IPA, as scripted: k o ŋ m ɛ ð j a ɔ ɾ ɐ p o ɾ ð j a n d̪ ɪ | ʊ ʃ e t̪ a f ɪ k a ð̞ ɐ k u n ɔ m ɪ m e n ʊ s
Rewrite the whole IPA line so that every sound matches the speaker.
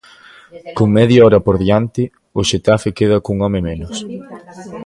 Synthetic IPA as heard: k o ŋ m ɛ ð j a ɔ ɾ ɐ p o ɾ ð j a n t̪ ɪ | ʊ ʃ e t̪ a f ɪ k e ð̞ ɐ k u ŋ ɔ m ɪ m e n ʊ s